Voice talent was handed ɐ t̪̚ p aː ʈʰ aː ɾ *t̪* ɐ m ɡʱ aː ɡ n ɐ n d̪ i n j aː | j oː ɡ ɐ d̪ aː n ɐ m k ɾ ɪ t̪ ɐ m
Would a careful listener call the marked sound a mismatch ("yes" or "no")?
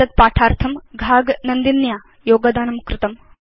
yes